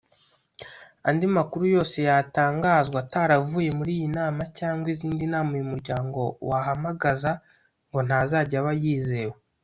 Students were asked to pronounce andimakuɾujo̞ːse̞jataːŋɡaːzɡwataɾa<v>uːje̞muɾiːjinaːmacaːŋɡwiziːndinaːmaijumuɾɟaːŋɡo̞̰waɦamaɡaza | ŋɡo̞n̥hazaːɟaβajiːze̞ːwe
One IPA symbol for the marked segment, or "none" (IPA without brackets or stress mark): v